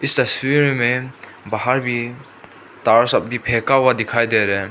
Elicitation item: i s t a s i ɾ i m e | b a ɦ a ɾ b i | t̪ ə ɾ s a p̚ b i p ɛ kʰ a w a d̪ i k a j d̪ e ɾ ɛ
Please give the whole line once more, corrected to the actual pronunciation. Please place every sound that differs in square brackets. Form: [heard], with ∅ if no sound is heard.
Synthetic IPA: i s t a s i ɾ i m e | b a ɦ a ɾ b i | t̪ [a] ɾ s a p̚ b i [pʰ] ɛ [k] a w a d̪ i [kʰ] a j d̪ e ɾ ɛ